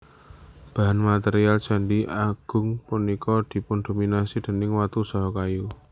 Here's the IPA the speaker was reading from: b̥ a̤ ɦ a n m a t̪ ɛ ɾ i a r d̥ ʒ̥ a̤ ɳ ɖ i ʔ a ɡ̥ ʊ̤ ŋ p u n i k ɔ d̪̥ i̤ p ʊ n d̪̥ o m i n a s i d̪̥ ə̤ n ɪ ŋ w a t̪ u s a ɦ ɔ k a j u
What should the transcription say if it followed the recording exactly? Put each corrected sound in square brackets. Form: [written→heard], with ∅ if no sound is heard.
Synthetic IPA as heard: b̥ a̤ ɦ a n m a t̪ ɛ ɾ i a [r→l] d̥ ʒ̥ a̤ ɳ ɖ i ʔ a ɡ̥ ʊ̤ ŋ p u n i k ɔ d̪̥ i̤ p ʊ n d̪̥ o m i n a s i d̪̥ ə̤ n ɪ ŋ w a t̪ u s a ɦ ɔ k a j u